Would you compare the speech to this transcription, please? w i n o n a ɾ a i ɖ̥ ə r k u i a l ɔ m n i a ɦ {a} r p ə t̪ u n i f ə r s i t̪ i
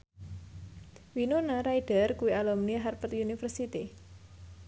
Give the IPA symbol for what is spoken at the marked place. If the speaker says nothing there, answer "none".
a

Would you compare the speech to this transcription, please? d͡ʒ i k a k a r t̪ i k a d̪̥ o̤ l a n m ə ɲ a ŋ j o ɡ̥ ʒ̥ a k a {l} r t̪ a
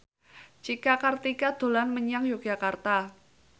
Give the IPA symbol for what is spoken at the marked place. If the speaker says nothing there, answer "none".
none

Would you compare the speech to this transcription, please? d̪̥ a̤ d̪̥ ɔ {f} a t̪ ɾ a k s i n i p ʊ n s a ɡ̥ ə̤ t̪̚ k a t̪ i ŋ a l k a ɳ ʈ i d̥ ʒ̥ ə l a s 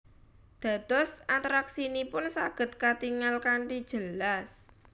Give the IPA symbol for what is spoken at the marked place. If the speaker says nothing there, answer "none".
s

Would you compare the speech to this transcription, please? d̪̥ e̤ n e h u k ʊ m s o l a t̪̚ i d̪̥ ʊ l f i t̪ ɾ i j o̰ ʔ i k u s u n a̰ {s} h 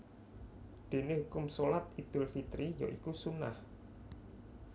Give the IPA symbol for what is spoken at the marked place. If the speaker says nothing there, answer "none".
none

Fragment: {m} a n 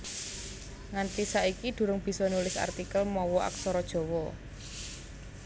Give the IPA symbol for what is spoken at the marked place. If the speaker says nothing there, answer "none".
ŋ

